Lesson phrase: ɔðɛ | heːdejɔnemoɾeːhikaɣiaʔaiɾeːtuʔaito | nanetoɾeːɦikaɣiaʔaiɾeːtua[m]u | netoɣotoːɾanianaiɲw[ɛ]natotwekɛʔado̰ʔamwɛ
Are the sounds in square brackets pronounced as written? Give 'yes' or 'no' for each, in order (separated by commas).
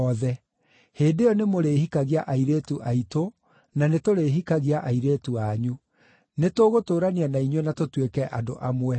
no, yes